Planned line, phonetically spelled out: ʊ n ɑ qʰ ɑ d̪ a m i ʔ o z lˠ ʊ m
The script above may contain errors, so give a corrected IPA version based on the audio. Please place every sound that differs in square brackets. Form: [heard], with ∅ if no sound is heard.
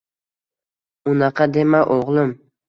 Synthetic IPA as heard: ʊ n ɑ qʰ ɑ d̪ [e] m [a] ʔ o [ʁ] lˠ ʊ m